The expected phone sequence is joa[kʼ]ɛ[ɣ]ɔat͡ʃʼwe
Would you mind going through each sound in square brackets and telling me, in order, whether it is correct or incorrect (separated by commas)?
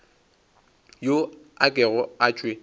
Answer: correct, correct